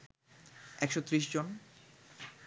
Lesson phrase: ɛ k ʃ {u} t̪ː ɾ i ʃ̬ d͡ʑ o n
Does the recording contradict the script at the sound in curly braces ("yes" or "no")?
yes